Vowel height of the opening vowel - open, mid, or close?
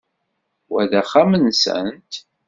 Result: open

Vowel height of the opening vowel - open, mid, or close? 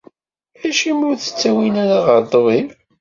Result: open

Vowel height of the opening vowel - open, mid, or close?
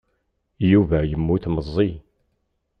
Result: close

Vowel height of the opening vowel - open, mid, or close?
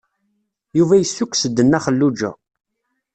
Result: close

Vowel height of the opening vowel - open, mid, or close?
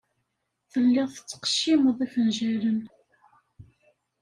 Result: mid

